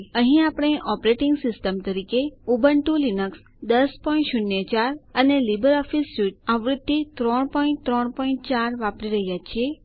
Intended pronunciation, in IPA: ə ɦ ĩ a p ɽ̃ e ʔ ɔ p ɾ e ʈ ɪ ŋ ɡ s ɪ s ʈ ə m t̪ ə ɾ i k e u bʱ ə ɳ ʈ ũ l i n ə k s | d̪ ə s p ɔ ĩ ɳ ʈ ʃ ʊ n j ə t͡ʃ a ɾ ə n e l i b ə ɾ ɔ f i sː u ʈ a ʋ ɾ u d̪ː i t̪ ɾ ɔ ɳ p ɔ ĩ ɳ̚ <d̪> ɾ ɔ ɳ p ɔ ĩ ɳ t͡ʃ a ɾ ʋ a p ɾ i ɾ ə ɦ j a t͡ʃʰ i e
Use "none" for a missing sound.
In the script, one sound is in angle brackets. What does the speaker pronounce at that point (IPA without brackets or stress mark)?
t̪